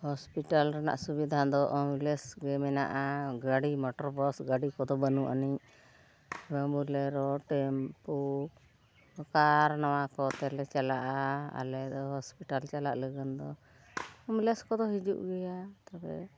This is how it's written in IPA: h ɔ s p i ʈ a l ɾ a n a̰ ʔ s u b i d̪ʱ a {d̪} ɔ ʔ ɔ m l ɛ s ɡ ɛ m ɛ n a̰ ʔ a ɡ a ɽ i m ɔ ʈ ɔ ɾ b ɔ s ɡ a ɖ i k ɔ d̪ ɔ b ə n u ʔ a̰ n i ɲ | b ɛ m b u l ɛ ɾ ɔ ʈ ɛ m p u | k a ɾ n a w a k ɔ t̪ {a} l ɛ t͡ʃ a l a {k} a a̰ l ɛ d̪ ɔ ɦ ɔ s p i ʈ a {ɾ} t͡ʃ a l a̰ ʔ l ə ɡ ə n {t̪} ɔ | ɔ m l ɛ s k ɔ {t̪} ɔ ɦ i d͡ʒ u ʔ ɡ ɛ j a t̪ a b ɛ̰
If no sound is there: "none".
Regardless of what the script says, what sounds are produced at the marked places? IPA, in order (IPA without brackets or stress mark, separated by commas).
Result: d̪, ɛ, ʔ, l, d̪, d̪